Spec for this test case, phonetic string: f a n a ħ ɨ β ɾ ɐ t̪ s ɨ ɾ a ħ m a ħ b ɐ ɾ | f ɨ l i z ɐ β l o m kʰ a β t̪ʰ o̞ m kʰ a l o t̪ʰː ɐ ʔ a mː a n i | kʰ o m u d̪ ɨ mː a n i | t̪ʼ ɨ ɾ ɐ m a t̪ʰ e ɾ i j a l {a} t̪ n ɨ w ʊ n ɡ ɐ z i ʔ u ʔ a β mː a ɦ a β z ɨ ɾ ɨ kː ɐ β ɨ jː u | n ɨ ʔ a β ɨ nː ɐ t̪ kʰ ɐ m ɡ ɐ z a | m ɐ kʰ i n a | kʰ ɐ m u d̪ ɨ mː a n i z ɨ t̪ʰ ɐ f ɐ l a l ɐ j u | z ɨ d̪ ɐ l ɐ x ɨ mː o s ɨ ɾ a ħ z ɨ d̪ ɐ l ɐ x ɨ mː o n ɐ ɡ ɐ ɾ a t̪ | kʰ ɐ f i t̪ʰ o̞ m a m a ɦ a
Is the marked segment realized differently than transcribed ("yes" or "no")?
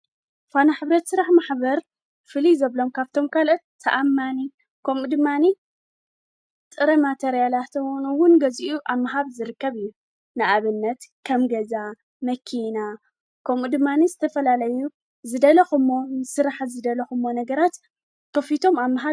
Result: no